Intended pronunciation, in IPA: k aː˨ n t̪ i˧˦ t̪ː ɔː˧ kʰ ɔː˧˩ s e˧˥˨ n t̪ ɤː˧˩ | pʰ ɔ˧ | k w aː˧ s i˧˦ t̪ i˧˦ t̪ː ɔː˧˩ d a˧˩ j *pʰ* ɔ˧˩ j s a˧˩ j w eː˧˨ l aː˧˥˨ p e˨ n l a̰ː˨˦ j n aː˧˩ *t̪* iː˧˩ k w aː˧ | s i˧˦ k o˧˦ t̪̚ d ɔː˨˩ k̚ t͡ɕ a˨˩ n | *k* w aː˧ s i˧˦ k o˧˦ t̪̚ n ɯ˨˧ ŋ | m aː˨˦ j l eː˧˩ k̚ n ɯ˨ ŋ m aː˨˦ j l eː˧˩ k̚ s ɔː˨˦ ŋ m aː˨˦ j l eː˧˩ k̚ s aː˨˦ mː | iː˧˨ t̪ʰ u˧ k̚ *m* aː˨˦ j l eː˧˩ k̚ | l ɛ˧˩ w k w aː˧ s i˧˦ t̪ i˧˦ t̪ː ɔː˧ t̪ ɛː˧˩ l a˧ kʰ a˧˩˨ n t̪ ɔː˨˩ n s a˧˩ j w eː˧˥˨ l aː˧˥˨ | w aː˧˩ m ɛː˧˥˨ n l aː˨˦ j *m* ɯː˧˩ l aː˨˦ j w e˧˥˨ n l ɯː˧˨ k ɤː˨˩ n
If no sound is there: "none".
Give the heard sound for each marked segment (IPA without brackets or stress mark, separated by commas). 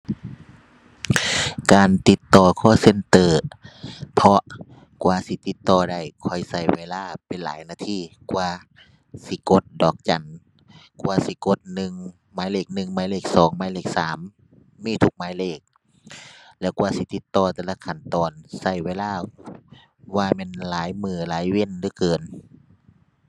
kʰ, t̪ʰ, k, m, m